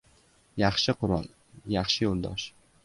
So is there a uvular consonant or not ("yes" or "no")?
yes